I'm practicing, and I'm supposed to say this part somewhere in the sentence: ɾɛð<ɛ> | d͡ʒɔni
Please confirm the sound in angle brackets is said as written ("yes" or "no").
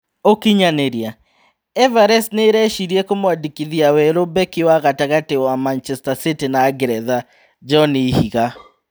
no